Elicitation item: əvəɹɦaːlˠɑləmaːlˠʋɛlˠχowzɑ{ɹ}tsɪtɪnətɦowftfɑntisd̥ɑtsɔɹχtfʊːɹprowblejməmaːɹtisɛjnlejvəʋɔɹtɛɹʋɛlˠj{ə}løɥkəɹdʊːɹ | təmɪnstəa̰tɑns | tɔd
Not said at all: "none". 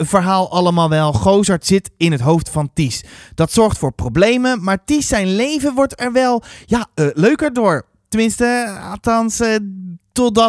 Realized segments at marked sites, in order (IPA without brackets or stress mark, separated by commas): ɹ, a